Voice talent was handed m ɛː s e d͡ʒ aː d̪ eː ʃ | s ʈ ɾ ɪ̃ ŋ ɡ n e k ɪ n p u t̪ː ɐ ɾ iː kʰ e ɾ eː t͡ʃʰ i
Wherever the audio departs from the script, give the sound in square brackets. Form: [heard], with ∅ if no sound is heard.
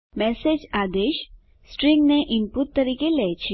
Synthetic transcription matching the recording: m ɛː s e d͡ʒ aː d̪ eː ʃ | s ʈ ɾ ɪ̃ ŋ ɡ n e [ʔ] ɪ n p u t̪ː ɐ ɾ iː [k] e [l] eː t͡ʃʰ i

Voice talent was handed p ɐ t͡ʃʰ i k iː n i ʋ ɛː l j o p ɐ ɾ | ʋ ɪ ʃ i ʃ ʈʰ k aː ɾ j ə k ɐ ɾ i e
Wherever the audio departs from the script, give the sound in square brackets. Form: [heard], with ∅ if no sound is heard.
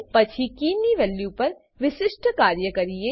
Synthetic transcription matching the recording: p ɐ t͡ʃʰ i k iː n i ʋ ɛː l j [u] p ɐ ɾ | ʋ ɪ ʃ [ɪ] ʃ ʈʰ k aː ɾ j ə k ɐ ɾ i e

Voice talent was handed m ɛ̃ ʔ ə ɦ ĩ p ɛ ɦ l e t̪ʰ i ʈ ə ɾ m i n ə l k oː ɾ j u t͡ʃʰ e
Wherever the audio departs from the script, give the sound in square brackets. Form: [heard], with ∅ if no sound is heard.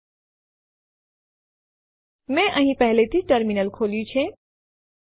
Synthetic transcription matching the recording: m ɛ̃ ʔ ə ɦ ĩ p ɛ ɦ l e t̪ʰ i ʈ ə ɾ m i n ə l [kʰ] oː [l] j u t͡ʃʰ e

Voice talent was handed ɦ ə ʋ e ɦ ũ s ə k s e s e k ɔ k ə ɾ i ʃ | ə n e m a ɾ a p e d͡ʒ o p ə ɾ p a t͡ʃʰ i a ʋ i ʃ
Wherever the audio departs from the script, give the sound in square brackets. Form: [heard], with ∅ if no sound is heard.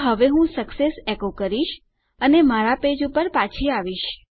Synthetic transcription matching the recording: ɦ ə ʋ e ɦ ũ s ə k s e s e k [o] k ə ɾ i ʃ | ə n e m a ɾ a p e d͡ʒ [u] p ə ɾ p a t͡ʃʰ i a ʋ i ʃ

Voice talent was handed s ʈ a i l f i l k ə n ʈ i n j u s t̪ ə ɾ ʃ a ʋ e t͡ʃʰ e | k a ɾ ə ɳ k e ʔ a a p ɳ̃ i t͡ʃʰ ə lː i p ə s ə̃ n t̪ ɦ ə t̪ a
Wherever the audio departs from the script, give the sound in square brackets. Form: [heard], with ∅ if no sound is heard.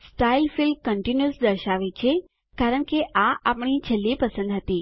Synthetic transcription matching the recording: s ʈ a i l f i l k ə [ɳ] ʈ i n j u s [d̪] ə ɾ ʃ a ʋ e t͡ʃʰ e | k a ɾ ə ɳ k e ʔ a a p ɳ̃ i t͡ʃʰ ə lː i p ə s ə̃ n [d̪] ɦ ə t̪ [i]

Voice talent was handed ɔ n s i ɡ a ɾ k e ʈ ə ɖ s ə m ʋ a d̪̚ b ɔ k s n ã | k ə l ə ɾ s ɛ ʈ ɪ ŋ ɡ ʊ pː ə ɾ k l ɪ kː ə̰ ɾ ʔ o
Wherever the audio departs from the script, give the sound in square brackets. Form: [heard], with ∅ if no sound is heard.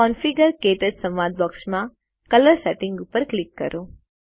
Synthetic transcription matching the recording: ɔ n [f] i ɡ [ə] ɾ k e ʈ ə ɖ s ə m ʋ a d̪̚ b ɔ k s [m] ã | k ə l ə ɾ s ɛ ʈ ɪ ŋ ɡ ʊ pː ə ɾ k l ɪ kː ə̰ ɾ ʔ o

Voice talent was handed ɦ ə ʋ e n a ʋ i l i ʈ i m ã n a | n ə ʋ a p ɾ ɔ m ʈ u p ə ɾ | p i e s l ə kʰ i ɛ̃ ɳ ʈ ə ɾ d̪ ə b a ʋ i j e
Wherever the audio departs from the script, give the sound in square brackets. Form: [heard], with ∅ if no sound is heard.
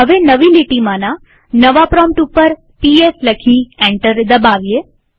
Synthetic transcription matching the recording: ɦ ə ʋ e n [ə] ʋ i l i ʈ i m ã n a | n ə ʋ a p ɾ ɔ m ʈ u p ə ɾ | p i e s l ə kʰ i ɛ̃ ɳ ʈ ə ɾ d̪ ə b a ʋ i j e

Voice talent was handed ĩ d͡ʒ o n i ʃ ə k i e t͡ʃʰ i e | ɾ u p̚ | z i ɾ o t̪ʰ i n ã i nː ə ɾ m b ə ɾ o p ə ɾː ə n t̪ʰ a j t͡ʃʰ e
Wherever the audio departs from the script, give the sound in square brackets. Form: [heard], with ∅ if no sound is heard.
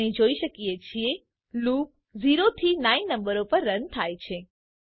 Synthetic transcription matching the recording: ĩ d͡ʒ o [∅] i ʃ ə k i e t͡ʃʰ i e | [l] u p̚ | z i ɾ o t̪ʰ i n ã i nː ə [∅] m b ə ɾ o p ə ɾː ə n t̪ʰ a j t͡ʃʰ e

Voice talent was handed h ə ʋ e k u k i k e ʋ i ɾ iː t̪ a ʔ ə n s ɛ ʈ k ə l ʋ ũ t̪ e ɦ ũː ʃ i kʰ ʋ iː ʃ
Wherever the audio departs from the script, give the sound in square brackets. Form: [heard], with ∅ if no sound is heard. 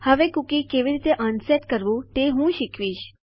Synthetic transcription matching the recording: h ə ʋ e k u k i k e ʋ i ɾ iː t̪ [e] ʔ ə n s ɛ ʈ k ə [ɾ] ʋ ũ t̪ e ɦ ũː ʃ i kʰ ʋ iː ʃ

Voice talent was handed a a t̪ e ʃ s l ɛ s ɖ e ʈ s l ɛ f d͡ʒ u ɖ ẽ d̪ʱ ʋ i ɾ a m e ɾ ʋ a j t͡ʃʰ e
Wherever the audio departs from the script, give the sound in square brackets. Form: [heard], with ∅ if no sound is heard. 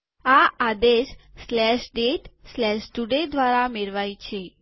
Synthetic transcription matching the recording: a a [d̪] e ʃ s l ɛ [ʃ] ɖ e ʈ s l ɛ [ʃ] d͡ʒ u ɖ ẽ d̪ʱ ʋ [a] ɾ a m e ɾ ʋ a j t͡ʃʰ e

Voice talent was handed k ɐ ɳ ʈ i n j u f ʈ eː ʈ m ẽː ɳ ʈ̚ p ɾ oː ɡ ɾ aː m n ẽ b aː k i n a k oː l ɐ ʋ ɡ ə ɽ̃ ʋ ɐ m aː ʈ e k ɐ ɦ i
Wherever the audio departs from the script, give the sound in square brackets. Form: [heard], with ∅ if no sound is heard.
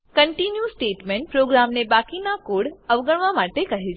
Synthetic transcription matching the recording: k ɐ ɳ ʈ i n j u [s] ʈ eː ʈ m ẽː ɳ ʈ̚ p ɾ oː ɡ ɾ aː m n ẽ b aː k i n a k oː [ɽ] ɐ ʋ ɡ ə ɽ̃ ʋ [a] m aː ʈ e k ɐ ɦ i

